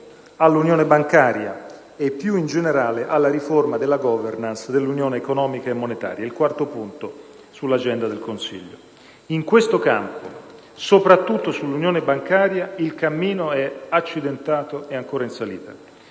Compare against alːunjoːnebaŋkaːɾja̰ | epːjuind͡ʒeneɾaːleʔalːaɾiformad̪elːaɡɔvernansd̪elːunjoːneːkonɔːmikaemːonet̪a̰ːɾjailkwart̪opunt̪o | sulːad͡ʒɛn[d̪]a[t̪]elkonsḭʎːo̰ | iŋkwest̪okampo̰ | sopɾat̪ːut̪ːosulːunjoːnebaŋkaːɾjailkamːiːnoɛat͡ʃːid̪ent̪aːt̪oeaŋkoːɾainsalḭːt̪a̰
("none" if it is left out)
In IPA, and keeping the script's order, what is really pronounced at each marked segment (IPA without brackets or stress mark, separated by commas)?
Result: d̪, d̪